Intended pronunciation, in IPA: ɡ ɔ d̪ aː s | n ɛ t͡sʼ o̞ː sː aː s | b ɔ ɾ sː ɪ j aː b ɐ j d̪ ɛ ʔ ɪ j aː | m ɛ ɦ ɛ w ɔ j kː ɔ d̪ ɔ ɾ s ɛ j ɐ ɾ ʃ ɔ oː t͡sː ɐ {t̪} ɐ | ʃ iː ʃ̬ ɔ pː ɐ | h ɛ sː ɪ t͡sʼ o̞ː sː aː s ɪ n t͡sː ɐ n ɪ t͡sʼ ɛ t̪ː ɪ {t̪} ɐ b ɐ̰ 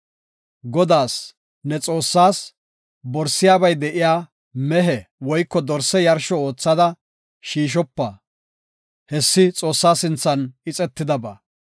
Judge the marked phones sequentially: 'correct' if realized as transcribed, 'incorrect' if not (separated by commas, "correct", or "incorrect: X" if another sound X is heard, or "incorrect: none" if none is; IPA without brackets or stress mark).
incorrect: d̪, incorrect: d̪